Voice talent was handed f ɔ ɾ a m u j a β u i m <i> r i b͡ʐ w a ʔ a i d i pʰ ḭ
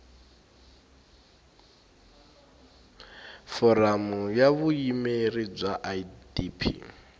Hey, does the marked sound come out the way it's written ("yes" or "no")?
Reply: no